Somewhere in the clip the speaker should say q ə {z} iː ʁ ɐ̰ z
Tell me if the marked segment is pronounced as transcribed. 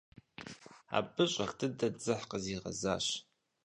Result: yes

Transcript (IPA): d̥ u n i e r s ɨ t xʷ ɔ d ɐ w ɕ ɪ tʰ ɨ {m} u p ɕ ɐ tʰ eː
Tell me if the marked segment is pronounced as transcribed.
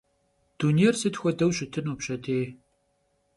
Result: no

